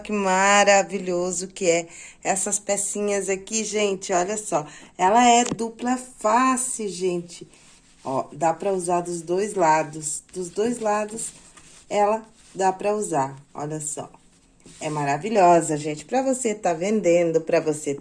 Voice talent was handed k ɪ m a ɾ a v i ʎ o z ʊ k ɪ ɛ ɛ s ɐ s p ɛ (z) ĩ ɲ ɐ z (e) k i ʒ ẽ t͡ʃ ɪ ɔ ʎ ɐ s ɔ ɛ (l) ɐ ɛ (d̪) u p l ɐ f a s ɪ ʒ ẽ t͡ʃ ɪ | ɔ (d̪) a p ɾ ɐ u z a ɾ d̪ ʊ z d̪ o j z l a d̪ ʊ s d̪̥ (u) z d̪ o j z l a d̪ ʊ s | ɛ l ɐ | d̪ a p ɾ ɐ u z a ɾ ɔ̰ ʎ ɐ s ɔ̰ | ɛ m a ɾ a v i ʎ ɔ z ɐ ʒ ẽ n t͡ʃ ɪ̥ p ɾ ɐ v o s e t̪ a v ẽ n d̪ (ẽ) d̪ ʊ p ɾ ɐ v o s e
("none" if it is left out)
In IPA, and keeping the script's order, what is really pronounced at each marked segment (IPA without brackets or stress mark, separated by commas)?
s, a, l, d̪, d̪, ʊ, ẽ